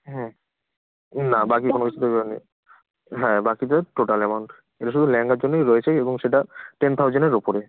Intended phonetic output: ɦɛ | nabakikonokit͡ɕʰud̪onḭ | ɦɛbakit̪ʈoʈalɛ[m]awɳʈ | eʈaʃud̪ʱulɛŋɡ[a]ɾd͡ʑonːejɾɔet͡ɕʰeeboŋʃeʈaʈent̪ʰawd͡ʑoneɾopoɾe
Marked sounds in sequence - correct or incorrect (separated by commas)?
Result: correct, correct